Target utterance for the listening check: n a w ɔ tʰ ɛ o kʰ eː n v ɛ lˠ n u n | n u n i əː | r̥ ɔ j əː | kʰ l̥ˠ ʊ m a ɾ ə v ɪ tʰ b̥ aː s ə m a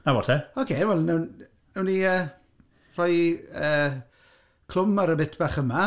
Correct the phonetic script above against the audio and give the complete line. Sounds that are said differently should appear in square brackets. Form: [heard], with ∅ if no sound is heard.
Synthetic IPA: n a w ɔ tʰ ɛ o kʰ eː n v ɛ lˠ n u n | n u n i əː | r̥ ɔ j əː | kʰ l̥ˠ ʊ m a ɾ ə [b] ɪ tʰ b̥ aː [χ] ə m a